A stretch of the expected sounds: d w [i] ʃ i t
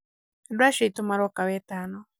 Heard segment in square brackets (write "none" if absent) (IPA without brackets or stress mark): a